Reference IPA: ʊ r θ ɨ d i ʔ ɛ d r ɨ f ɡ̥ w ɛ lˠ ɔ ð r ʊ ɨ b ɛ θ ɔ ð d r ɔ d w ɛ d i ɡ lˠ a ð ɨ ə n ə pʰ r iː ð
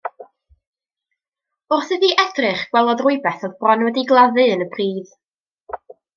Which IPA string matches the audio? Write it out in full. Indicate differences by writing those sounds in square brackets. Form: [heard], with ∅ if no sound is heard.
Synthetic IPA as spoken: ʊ r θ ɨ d i ʔ ɛ d r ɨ [χ] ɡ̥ w ɛ lˠ ɔ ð r ʊ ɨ b ɛ θ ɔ ð [b] r ɔ [n] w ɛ d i ɡ lˠ a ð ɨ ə n ə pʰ r iː ð